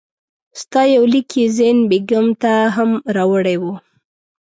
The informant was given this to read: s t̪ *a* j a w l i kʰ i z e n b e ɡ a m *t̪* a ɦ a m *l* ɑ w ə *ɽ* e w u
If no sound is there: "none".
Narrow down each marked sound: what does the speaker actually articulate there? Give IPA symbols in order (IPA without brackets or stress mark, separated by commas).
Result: ɑ, t̪, ɾ, ɽ